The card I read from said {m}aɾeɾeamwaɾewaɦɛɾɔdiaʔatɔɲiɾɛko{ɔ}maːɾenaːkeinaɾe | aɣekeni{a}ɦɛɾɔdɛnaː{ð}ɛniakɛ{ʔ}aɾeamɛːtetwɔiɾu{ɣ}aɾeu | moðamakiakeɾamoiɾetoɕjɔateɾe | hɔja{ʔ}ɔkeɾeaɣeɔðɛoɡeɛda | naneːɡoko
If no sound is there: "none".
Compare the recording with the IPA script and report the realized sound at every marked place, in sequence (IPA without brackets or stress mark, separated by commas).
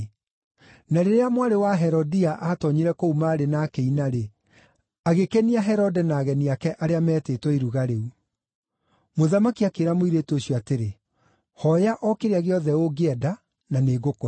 n, u, a, ɣ, ʔ, ɣ, ʔ